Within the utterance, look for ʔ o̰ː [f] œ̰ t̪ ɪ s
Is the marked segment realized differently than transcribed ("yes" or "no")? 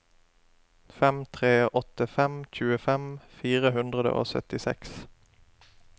yes